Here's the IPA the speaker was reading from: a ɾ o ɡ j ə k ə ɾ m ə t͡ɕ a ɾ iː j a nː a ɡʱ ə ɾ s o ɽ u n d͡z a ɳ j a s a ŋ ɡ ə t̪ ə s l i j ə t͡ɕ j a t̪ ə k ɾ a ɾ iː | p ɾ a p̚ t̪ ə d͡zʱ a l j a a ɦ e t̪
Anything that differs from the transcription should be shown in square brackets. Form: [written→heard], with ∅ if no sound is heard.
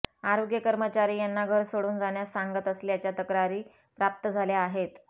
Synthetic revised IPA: a ɾ o ɡ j ə k ə ɾ m ə t͡ɕ a ɾ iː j a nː a ɡʱ ə ɾ s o ɽ [u→uː] n d͡z a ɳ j a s a ŋ ɡ ə t̪ ə s l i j [ə→a] t͡ɕ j a t̪ ə k ɾ a ɾ iː | p ɾ a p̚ t̪ ə d͡zʱ a l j a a ɦ e t̪